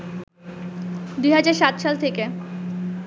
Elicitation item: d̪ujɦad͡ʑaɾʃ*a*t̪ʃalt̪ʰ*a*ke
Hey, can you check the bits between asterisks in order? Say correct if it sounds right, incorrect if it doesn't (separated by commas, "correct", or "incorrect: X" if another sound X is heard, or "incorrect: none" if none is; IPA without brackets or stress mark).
correct, incorrect: e